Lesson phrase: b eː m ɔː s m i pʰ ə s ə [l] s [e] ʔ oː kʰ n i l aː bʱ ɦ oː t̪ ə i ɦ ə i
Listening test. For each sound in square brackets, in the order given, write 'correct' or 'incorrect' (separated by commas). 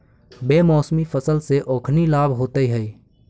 correct, correct